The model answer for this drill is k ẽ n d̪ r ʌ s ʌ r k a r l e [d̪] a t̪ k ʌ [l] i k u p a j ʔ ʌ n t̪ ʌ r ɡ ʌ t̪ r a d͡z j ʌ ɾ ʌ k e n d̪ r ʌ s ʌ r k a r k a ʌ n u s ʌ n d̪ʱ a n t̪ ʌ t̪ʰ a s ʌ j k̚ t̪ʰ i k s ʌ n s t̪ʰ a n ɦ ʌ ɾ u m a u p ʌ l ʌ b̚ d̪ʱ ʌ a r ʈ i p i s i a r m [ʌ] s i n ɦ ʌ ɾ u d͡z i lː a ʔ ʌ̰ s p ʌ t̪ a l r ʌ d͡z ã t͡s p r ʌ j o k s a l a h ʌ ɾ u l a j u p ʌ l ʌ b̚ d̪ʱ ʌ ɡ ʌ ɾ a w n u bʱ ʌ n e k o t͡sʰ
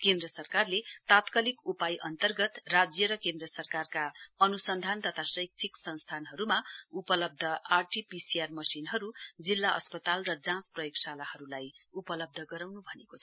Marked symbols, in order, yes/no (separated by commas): no, yes, yes